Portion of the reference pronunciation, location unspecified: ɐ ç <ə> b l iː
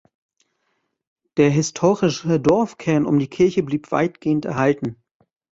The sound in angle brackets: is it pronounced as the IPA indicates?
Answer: yes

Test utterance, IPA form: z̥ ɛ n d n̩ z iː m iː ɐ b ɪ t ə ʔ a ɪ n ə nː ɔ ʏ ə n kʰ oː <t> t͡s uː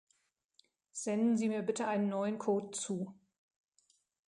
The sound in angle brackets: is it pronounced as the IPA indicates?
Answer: yes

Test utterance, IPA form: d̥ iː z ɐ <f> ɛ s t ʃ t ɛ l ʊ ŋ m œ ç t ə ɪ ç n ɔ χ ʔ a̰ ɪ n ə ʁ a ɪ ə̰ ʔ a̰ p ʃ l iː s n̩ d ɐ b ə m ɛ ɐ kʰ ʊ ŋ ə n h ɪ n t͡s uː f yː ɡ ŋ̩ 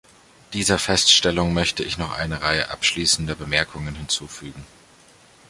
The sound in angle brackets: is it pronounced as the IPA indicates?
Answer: yes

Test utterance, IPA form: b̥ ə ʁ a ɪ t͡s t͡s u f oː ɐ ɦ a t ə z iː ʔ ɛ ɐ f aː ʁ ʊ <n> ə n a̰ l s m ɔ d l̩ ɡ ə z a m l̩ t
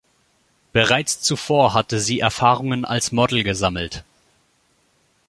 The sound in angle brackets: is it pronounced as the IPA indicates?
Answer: no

